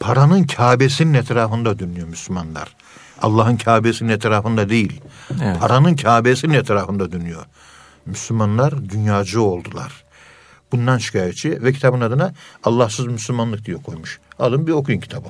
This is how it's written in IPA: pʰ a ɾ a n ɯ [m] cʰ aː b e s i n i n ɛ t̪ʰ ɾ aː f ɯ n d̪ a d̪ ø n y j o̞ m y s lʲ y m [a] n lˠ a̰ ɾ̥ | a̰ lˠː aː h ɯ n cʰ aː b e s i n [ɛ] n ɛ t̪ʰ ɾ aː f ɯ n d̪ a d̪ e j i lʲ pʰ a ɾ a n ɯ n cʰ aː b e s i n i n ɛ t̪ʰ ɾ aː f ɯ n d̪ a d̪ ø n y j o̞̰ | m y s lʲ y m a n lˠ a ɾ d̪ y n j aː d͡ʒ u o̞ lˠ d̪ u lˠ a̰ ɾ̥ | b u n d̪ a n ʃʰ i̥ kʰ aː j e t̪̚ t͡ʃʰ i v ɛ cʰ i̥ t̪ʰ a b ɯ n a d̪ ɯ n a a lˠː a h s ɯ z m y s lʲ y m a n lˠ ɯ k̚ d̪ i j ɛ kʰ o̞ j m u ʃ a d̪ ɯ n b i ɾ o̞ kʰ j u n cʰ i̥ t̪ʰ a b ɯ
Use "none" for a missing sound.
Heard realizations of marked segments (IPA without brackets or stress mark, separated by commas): n, a, i